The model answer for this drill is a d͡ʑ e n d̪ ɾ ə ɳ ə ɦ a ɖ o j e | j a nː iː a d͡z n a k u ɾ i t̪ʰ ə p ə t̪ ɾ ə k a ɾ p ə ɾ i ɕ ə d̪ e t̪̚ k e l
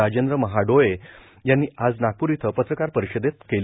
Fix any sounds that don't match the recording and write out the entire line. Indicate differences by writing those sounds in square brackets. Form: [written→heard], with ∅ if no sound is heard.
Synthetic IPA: a d͡ʑ e n d̪ ɾ ə [ɳ→m] ə ɦ a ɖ o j e | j a nː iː a d͡z n a k u ɾ i t̪ʰ ə p ə t̪ ɾ ə k a ɾ p ə ɾ i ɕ ə d̪ e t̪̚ k e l